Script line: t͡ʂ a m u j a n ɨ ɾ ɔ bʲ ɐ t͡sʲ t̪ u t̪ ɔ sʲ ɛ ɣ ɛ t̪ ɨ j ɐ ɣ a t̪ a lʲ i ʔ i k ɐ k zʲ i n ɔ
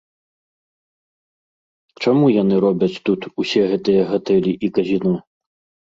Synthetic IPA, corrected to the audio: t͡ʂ a m u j a n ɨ ɾ ɔ bʲ ɐ t͡sʲ t̪ u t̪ u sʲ ɛ ɣ ɛ t̪ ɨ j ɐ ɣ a t̪ ɛ lʲ i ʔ i k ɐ zʲ i n ɔ